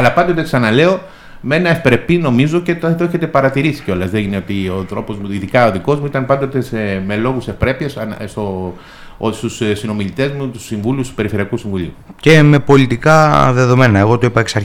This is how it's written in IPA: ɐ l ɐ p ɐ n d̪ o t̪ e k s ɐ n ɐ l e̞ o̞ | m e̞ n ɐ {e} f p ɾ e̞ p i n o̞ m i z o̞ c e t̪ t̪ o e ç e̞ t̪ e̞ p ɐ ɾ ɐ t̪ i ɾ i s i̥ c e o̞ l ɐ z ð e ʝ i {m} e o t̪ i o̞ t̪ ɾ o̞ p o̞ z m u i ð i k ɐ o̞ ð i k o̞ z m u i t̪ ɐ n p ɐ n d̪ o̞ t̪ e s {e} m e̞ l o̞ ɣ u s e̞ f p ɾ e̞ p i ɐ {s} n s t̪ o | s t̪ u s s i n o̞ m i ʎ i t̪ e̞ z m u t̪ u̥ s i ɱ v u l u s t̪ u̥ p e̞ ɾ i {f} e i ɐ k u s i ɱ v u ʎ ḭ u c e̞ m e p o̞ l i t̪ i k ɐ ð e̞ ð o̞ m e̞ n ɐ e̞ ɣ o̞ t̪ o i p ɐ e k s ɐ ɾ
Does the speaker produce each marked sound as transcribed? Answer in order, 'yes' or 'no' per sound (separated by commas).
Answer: yes, no, yes, yes, yes